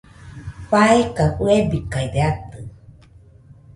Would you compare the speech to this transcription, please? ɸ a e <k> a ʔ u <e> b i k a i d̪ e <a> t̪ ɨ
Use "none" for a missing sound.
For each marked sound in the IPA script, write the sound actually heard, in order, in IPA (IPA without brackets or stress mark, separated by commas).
k, e, a